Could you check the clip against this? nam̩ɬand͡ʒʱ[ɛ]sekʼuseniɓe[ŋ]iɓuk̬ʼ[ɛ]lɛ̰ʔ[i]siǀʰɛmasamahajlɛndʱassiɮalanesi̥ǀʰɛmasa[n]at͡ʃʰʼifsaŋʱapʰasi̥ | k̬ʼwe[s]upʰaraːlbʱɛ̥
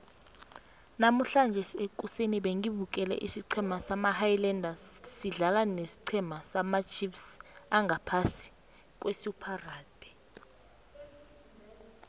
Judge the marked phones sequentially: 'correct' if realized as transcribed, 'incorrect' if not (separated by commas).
correct, correct, correct, correct, incorrect, correct